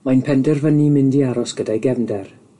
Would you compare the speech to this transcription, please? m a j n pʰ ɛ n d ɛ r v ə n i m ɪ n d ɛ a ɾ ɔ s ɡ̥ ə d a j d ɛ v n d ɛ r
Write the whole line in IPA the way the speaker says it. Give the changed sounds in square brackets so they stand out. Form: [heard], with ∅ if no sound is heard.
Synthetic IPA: m a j n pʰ ɛ n d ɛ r v ə n i m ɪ n d [i] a ɾ ɔ s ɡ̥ ə d a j [ɡ] ɛ v n d ɛ r